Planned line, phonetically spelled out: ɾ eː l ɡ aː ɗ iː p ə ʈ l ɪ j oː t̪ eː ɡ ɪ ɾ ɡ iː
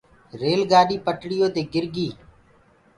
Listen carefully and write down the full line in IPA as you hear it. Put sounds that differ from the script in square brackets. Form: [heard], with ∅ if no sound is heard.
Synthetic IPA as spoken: ɾ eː l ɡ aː ɗ iː p ə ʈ [ɽ] ɪ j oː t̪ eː ɡ ɪ ɾ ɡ iː

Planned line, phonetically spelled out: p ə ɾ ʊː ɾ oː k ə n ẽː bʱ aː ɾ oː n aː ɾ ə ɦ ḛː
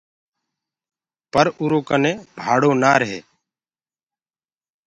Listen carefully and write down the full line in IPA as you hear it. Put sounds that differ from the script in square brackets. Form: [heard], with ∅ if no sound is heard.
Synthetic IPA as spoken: p ə ɾ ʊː ɾ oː k ə n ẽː bʱ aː [ɽ] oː n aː ɾ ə ɦ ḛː

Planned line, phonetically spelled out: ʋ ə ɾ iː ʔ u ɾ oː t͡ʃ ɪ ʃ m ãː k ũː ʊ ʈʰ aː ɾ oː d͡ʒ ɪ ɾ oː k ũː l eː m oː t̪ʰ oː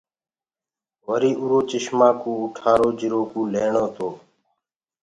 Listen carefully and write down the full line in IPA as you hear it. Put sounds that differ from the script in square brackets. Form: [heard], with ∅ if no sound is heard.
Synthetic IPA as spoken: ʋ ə ɾ iː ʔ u ɾ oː t͡ʃ ɪ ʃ m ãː k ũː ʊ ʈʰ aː ɾ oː d͡ʒ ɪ ɾ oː k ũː l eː [ɳ] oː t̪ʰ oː

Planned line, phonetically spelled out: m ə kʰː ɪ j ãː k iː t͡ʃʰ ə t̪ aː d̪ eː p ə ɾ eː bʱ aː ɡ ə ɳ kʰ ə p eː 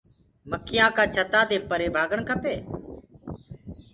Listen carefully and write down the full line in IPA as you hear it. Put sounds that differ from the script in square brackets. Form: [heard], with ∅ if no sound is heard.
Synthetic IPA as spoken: m ə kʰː ɪ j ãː k [aː] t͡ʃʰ ə t̪ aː d̪ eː p ə ɾ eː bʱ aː ɡ ə ɳ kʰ ə p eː

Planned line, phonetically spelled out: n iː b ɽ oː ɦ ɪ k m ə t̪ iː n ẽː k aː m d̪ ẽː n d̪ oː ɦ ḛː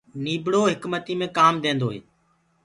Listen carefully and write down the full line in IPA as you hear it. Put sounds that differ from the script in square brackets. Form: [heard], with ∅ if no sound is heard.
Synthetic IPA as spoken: n iː b ɽ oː ɦ ɪ k m ə t̪ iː [m] ẽː k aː m d̪ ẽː n d̪ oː ɦ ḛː

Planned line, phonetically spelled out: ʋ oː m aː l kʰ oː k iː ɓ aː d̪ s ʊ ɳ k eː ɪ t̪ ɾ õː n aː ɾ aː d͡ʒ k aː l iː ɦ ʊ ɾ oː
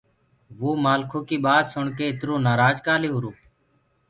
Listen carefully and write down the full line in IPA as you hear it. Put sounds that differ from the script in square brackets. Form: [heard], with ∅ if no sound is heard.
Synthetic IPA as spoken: ʋ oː m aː l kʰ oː k iː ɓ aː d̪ s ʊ ɳ k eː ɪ t̪ ɾ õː n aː ɾ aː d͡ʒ k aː l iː ɦ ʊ ɾ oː

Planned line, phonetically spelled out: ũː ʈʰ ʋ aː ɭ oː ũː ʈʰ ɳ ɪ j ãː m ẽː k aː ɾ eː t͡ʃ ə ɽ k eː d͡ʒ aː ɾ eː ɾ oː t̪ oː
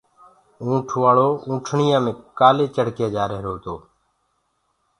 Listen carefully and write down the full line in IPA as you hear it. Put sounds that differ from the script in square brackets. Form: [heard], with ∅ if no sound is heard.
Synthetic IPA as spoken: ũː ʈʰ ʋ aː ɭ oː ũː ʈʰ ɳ ɪ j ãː m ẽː k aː [l] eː t͡ʃ ə ɽ k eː d͡ʒ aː ɾ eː ɾ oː t̪ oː

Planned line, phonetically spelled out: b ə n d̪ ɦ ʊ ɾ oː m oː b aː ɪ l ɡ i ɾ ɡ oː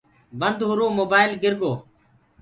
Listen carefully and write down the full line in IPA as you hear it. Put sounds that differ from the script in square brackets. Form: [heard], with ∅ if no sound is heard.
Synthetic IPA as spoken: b ə n d̪ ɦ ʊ ɾ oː m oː b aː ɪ l ɡ [ɪ] ɾ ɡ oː

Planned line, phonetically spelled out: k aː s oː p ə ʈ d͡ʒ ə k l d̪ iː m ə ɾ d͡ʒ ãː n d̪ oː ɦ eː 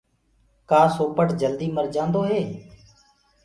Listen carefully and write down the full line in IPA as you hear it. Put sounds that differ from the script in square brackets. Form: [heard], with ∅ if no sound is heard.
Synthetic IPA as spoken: k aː s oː p ə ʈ d͡ʒ ə [∅] l d̪ iː m ə ɾ d͡ʒ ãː n d̪ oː ɦ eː

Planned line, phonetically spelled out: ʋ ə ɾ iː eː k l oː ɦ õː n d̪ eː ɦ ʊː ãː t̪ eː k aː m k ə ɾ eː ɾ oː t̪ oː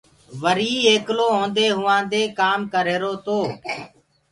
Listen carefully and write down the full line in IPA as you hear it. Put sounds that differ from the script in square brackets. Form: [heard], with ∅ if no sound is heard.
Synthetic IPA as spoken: ʋ ə ɾ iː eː k l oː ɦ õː n d̪ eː ɦ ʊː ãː [d̪] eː k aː m k ə ɾ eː ɾ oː t̪ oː

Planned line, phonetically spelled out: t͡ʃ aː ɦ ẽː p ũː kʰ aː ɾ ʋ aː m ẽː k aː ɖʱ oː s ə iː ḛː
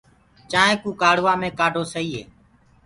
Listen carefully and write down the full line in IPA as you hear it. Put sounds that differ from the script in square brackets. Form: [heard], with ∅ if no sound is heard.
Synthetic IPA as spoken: t͡ʃ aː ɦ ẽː [k] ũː [k] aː [ɽ] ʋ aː m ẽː k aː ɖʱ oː s ə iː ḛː

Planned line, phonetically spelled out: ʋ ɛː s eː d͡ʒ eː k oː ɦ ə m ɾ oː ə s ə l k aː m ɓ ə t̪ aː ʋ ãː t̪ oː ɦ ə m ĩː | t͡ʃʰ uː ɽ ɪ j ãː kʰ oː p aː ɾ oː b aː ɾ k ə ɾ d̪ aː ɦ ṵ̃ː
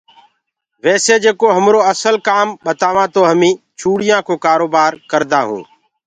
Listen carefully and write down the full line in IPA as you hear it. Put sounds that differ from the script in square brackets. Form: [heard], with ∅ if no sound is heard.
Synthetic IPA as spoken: ʋ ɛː s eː d͡ʒ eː k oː ɦ ə m ɾ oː ə s ə l k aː m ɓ ə t̪ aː ʋ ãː t̪ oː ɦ ə m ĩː | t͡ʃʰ uː ɽ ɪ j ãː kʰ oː [k] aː ɾ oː b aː ɾ k ə ɾ d̪ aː ɦ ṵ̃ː

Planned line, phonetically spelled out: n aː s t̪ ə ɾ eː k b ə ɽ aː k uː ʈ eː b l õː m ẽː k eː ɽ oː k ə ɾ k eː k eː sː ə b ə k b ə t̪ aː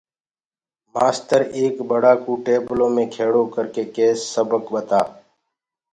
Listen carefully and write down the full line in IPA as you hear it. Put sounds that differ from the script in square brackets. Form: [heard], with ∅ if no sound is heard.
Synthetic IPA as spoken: [m] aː s t̪ ə ɾ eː k b ə ɽ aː k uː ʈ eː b l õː m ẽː [kʰ] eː ɽ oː k ə ɾ k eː k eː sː ə b ə k b ə t̪ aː

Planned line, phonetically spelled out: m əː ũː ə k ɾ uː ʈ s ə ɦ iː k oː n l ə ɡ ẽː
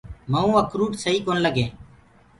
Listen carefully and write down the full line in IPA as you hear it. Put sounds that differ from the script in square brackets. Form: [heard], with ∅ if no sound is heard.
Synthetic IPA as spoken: m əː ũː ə k ɾ uː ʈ s ə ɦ iː k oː n l ə ɡ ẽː

